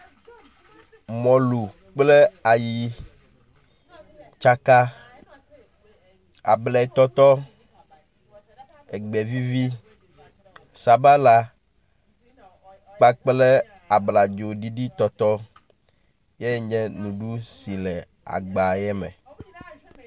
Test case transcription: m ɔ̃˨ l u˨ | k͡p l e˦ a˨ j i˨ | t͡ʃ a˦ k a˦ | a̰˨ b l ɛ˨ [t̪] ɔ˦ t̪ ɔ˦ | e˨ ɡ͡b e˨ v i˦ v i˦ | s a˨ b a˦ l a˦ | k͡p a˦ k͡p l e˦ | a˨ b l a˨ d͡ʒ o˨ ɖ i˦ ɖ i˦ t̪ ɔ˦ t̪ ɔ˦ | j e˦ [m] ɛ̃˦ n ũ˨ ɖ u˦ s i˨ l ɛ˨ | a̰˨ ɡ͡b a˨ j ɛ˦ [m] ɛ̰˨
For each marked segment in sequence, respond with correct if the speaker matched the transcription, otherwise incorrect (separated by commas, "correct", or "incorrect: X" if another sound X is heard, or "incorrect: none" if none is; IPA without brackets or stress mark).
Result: correct, incorrect: ɲ, correct